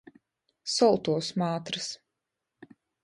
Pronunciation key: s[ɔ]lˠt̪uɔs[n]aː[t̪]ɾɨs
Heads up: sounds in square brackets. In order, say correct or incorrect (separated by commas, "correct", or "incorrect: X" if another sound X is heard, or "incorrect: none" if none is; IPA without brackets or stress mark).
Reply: correct, incorrect: m, correct